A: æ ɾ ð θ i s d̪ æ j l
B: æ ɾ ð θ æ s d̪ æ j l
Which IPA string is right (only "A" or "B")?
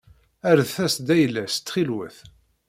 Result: B